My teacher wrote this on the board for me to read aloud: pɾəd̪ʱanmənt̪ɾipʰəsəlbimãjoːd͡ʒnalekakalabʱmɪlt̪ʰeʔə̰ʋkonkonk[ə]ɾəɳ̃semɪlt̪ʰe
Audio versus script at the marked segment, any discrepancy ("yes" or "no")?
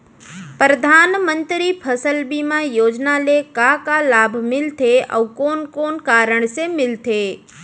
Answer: yes